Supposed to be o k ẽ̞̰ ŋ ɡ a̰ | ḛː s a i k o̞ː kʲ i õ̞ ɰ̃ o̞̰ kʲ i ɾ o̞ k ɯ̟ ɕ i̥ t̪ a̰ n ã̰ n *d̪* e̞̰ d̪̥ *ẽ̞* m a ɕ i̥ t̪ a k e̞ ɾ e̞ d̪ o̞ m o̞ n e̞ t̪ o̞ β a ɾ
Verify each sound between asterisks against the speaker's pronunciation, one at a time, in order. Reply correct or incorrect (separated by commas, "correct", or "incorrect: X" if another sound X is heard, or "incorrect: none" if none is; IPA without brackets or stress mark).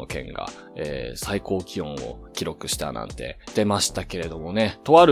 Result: incorrect: t̪, incorrect: e̞